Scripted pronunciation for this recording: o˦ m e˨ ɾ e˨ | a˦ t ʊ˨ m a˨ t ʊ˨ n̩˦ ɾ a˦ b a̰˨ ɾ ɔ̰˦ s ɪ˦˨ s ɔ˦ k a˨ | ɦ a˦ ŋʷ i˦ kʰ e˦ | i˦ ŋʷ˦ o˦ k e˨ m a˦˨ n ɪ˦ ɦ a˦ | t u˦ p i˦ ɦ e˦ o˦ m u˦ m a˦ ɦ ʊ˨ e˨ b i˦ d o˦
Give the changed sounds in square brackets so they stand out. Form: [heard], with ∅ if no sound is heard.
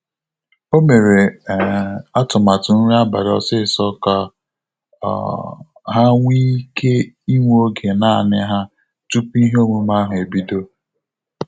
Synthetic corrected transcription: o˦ m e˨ ɾ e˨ | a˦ t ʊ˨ m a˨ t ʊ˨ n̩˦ ɾ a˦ b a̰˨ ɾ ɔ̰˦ s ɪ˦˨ s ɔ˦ k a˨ | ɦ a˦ ŋʷ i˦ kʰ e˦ | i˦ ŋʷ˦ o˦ [ɡ] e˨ [n] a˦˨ n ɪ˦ ɦ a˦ | t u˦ p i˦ ɦ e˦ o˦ m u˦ m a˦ ɦ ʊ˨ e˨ b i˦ d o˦